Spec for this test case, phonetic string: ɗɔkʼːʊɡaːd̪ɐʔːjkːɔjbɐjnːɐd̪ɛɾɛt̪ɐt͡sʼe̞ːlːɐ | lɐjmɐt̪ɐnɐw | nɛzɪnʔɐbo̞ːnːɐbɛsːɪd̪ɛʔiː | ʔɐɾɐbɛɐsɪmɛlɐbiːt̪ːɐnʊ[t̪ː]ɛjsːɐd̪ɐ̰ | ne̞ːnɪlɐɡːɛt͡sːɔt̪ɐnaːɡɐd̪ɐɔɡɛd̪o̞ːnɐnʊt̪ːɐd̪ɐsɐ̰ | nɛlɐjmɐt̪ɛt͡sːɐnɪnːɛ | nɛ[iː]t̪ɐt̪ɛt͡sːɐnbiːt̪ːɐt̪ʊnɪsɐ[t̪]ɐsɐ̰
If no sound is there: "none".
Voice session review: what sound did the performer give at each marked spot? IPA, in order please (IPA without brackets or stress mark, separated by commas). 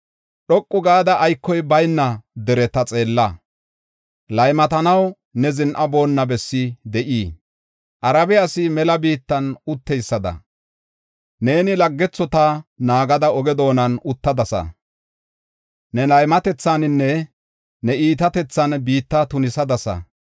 t̪ː, iː, d̪